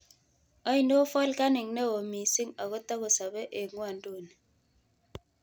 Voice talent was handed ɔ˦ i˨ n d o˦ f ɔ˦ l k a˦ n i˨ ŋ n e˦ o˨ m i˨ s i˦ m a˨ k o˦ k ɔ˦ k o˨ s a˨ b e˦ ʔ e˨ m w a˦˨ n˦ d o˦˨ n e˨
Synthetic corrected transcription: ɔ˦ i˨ n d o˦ f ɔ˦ l k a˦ n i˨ ŋ n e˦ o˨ m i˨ s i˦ ŋ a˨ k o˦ t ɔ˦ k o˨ s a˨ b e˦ ʔ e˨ ŋ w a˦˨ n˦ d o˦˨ n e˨